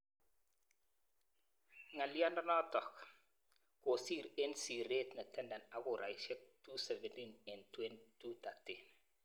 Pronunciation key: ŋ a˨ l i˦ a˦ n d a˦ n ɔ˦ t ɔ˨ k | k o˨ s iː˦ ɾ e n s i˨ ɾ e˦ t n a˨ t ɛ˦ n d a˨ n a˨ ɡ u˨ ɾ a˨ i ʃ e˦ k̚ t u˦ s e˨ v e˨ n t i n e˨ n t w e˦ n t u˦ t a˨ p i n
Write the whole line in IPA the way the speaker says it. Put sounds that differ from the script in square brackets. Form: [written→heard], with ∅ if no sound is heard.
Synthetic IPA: ŋ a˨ l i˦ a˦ n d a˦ n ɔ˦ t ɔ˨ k | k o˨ s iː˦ ɾ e n s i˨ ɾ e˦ t n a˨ t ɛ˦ n d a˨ n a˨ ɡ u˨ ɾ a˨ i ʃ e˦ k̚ t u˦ s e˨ v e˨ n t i n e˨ n t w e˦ n t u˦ t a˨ [p→t] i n